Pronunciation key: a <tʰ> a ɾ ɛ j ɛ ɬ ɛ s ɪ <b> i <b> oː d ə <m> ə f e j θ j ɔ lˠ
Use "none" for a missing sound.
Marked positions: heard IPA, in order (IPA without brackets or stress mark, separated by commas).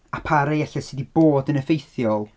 pʰ, d, b, n